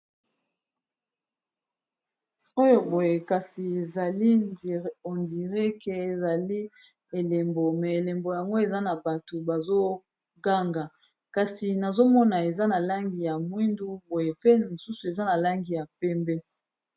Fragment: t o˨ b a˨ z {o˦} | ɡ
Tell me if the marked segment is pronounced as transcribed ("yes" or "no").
yes